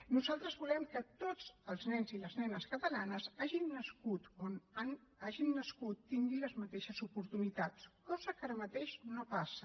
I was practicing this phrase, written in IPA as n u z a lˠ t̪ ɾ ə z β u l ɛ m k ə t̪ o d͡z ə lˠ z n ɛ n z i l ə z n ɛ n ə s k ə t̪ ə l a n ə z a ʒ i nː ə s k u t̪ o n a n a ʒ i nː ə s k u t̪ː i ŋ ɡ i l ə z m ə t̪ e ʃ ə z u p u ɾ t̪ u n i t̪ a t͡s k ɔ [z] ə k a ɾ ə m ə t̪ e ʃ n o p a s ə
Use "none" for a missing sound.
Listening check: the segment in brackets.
z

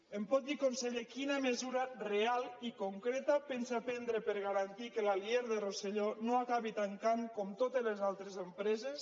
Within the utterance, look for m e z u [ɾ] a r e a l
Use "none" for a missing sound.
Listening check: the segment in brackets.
ɾ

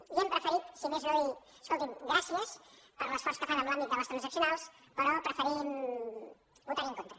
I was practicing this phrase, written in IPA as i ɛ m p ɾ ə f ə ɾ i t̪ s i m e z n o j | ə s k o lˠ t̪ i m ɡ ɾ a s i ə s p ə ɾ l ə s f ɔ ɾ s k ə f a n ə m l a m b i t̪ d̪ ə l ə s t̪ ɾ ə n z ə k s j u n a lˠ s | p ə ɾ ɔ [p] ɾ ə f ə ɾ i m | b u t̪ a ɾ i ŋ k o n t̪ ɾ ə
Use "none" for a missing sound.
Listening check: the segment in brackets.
p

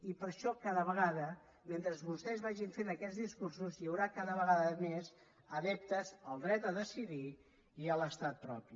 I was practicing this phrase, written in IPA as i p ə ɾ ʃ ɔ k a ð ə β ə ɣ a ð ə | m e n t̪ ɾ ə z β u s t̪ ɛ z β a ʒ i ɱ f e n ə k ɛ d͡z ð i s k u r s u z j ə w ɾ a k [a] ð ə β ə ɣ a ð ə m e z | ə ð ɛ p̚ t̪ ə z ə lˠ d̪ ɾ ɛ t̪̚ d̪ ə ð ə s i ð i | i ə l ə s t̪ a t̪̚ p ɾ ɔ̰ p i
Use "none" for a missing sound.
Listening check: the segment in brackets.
a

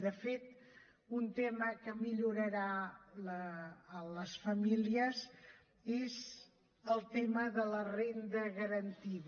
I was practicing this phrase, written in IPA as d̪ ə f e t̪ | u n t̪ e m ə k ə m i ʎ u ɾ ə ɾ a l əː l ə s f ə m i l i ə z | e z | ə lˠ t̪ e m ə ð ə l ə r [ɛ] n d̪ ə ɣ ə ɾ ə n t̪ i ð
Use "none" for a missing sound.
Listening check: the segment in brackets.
e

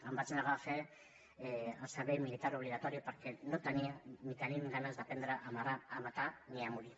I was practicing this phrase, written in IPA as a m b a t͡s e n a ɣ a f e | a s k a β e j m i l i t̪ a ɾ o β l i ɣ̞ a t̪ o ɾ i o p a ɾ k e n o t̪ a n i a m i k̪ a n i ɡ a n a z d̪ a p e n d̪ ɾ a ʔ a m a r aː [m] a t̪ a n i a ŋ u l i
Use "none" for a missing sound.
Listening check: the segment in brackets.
m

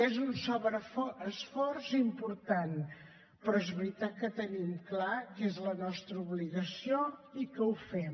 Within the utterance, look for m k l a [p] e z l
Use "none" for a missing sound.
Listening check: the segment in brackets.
k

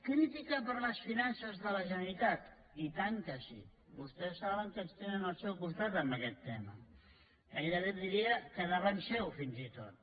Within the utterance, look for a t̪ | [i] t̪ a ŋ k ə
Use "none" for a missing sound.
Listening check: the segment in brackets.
i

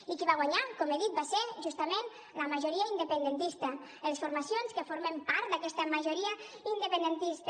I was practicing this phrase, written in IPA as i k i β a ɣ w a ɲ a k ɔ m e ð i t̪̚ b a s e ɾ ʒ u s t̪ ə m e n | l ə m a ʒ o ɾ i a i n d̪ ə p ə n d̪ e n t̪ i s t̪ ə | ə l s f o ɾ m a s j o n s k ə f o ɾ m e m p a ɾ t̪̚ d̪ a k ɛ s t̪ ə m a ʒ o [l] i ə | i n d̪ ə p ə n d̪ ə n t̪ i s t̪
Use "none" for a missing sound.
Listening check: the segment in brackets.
ɾ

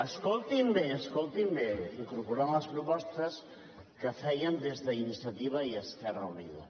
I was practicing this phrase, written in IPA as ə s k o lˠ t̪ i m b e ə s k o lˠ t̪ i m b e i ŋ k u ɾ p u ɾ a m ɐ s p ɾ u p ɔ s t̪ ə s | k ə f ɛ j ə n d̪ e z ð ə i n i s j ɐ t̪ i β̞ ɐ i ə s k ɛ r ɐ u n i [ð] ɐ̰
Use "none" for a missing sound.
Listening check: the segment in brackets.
ð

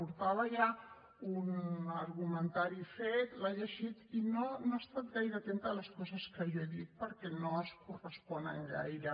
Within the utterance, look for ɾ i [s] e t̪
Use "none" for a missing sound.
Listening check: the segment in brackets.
f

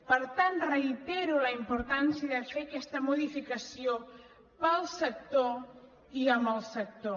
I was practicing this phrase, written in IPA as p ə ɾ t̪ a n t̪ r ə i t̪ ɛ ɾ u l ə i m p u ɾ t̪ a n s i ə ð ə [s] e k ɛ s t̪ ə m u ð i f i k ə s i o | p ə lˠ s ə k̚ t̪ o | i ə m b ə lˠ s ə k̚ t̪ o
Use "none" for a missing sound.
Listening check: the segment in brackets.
f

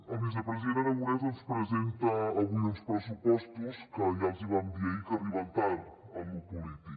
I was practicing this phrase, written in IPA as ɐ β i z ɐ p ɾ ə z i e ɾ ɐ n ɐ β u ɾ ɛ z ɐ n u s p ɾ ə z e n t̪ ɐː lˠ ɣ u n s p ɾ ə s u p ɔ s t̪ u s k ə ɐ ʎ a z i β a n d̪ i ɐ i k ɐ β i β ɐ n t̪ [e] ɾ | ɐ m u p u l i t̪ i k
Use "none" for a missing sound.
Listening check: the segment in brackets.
a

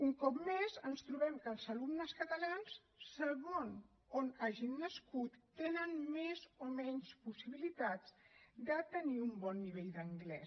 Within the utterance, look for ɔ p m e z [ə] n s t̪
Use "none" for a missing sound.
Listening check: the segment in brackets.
ə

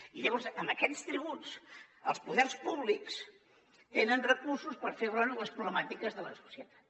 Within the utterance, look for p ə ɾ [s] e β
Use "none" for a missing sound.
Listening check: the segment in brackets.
f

